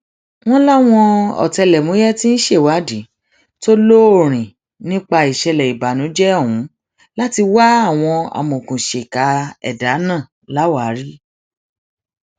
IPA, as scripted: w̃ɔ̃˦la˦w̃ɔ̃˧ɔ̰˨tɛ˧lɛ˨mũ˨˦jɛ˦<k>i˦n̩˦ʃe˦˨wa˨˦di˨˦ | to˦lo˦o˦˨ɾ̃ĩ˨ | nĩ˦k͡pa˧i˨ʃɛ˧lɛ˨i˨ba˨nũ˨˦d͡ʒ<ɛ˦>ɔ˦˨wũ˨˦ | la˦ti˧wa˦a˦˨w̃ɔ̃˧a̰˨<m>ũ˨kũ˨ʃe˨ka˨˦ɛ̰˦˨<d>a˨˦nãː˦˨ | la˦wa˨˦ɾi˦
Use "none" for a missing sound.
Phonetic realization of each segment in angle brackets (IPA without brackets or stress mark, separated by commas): t, ɛ˦, m, d